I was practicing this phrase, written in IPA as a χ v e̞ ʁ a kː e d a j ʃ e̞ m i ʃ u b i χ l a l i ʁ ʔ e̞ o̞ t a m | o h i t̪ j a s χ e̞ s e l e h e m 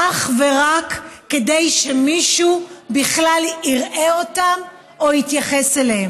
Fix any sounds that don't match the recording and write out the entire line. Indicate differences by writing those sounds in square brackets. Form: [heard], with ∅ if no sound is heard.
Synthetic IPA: a χ v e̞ ʁ a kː e d [e] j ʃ e̞ m i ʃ u b i χ l a l i ʁ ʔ e̞ o̞ t a m | o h i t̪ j a [∅] χ e̞ s e l e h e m